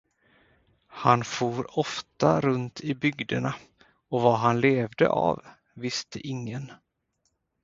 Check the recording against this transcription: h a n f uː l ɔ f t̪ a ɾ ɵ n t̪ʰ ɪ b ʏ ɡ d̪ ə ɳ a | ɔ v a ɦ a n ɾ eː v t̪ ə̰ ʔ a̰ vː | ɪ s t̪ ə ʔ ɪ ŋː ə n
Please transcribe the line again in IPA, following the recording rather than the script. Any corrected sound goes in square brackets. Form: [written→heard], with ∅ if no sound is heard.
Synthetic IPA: h a n f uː [l→ɾ] ɔ f t̪ a ɾ ɵ n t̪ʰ ɪ b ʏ ɡ d̪ ə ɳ a | ɔ v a ɦ a n [ɾ→l] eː v [t̪→d̪] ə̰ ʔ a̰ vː | ɪ s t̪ ə ʔ ɪ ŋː ə n